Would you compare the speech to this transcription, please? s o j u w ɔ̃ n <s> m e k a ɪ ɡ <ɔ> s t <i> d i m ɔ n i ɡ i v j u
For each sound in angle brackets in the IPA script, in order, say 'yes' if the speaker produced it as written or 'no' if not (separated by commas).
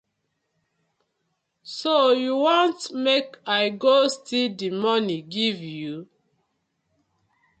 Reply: no, no, yes